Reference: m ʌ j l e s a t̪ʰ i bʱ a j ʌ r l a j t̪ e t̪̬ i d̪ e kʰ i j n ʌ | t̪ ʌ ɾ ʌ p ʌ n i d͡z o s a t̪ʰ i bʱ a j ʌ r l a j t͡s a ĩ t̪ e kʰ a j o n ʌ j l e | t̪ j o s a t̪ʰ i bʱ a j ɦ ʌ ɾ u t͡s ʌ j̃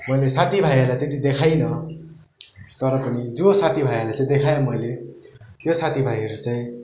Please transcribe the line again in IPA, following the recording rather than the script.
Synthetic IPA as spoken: m ʌ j l e s a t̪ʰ i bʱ a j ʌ r l a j t̪ e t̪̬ i d̪ e kʰ a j n ʌ | t̪ ʌ ɾ ʌ p ʌ n i d͡z o s a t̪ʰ i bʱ a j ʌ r l a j t͡s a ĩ d̪ e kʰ a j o m ʌ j l e | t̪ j o s a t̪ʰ i bʱ a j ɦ ʌ ɾ u t͡s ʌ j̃